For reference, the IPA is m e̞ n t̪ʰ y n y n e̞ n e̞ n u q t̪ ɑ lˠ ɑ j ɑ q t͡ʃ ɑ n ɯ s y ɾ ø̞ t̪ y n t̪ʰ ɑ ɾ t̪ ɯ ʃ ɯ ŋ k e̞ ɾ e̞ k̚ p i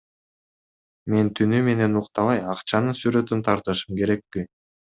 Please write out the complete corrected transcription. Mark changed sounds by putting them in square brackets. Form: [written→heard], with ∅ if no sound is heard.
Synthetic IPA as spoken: m e̞ n t̪ʰ y n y [n→m] e̞ n e̞ n u q t̪ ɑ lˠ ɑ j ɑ q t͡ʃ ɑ n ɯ s y ɾ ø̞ t̪ y n t̪ʰ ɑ ɾ t̪ ɯ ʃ ɯ [ŋ→m] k e̞ ɾ e̞ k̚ p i